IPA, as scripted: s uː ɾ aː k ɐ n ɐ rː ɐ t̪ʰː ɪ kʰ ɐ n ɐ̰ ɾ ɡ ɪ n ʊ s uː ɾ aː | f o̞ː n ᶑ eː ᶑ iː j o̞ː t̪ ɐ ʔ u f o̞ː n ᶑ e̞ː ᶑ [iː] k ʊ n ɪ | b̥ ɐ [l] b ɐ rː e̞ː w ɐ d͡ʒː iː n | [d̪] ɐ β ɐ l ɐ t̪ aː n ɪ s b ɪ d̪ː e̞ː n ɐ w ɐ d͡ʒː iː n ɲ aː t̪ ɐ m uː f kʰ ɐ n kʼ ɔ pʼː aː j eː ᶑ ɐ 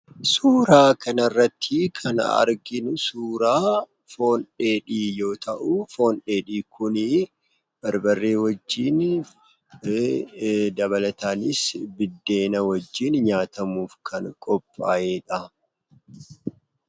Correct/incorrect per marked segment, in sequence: correct, incorrect: ɾ, correct

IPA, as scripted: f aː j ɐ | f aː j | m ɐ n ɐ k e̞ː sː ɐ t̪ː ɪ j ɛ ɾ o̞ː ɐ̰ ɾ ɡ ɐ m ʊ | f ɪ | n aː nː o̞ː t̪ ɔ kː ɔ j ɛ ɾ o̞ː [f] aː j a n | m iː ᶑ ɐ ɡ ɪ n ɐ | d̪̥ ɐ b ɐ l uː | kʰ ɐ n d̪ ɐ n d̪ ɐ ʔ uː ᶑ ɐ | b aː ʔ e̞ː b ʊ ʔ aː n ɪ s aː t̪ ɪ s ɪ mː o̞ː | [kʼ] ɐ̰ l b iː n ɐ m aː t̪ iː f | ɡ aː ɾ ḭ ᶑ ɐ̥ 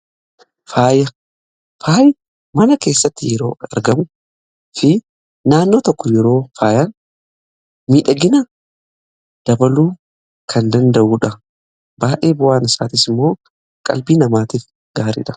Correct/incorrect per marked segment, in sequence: correct, correct

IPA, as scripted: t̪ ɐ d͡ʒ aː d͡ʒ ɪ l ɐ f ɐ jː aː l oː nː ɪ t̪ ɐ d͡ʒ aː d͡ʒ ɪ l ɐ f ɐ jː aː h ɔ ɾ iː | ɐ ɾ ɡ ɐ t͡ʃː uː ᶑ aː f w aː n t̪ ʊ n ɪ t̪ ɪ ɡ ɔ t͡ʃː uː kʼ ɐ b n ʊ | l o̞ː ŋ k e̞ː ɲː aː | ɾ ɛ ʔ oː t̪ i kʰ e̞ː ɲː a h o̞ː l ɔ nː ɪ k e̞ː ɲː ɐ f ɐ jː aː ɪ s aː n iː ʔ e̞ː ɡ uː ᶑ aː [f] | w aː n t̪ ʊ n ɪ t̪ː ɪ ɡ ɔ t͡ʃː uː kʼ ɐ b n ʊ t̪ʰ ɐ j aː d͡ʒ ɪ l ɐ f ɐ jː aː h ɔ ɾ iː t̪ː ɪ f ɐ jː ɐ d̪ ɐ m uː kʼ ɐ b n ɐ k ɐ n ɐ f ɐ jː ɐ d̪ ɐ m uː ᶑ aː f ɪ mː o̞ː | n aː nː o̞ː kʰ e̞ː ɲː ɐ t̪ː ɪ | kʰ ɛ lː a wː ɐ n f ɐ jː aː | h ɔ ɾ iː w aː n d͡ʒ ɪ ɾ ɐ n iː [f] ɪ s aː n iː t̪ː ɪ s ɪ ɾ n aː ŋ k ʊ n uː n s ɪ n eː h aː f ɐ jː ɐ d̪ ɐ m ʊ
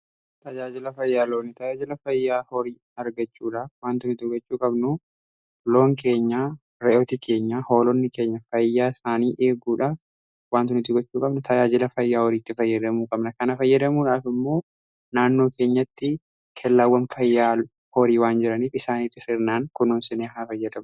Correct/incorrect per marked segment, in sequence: correct, correct

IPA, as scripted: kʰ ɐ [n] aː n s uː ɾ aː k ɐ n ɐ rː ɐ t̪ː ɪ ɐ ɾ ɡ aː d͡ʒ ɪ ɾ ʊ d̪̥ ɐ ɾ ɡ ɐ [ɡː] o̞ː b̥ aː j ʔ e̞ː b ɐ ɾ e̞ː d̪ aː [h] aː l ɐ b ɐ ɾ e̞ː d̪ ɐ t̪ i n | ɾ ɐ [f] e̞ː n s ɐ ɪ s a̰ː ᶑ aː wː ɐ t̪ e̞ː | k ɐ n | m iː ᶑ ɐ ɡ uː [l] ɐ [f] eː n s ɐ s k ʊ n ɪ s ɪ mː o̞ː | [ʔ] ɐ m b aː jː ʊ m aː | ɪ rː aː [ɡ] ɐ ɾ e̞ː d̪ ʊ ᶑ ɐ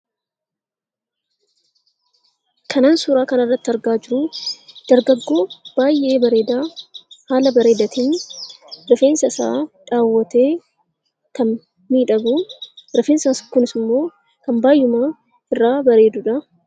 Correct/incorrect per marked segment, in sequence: correct, correct, correct, correct, incorrect: ɾ, correct, incorrect: k, incorrect: b

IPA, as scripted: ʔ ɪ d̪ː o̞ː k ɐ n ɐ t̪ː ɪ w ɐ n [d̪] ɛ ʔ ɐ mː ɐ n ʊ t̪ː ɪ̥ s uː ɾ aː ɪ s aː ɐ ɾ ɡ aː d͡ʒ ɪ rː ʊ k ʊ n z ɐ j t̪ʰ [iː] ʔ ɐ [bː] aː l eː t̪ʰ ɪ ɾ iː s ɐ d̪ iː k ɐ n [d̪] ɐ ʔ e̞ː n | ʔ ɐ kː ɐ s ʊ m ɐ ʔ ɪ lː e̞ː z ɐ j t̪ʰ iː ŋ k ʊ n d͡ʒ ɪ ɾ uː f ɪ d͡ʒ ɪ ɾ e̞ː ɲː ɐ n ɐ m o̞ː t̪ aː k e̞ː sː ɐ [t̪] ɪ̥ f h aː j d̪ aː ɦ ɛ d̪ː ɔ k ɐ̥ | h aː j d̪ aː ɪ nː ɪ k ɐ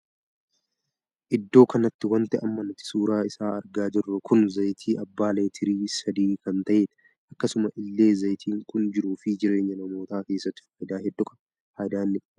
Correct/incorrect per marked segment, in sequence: incorrect: t̪, correct, correct, incorrect: t̪, correct

